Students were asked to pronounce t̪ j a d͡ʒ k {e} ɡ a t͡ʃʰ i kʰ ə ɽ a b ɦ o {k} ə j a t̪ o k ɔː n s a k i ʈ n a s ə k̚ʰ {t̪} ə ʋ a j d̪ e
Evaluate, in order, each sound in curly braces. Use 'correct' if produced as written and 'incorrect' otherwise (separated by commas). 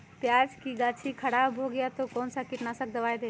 incorrect, incorrect, incorrect